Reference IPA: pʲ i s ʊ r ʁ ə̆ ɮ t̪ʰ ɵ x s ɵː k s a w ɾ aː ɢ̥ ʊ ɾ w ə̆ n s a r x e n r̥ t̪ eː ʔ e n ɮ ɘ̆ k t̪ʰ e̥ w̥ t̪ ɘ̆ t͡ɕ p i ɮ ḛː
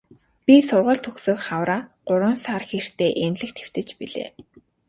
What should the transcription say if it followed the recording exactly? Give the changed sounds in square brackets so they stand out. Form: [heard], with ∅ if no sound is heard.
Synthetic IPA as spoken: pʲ i s ʊ r ʁ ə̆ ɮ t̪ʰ ɵ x s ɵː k [χ] a w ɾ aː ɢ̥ ʊ ɾ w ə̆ n s a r x e [∅] r̥ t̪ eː ʔ e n ɮ ɘ̆ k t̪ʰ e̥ w̥ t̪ ɘ̆ t͡ɕ p i ɮ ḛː